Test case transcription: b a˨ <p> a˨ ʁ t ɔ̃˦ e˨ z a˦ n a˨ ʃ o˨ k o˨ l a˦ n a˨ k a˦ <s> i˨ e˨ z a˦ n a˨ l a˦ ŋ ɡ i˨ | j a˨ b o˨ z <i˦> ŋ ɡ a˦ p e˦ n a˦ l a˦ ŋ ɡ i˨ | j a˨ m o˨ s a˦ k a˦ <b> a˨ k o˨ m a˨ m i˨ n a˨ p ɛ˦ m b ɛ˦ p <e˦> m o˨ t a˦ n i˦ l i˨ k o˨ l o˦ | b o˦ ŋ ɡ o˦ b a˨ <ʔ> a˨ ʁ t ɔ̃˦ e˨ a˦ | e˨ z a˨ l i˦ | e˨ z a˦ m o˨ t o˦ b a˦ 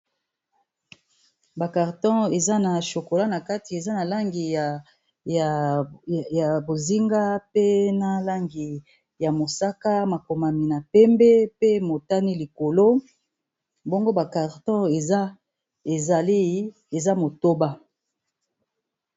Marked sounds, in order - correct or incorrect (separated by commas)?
incorrect, incorrect, correct, incorrect, correct, incorrect